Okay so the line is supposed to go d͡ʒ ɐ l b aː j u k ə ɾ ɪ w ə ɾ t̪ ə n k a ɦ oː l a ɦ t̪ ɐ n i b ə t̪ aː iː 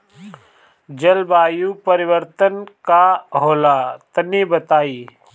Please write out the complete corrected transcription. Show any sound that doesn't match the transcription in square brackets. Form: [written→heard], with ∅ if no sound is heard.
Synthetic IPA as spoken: d͡ʒ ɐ l b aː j u [k→p] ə ɾ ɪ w ə ɾ t̪ ə n k a ɦ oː l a [ɦ→∅] t̪ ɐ n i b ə t̪ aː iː